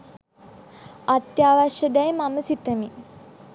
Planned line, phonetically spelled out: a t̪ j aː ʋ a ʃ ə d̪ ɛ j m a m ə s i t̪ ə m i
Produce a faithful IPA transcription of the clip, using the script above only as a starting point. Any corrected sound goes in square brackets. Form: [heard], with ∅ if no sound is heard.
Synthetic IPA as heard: a t̪ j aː ʋ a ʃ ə d̪ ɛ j m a m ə s i t̪ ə m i